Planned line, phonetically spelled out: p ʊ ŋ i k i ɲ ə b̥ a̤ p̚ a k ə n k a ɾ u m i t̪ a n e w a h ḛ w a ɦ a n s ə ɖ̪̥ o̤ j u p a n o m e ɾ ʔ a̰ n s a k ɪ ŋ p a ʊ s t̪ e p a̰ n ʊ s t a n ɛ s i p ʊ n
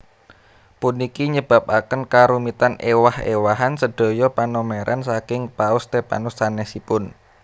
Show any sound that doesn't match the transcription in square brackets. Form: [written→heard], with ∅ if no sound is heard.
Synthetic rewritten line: p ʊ [ŋ→n] i k i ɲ ə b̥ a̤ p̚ a k ə n k a ɾ u m i t̪ a n e w a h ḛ w a ɦ a n s ə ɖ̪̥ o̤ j [u→ɔ] p a n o m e ɾ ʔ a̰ n s a k ɪ ŋ p a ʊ s t̪ e p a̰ n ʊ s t a n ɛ s i p ʊ n